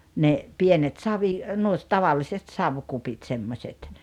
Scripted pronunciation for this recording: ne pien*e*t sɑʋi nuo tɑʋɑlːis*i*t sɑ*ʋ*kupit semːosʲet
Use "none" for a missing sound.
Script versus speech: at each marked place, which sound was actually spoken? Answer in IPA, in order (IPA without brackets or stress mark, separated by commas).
e, e, ʋ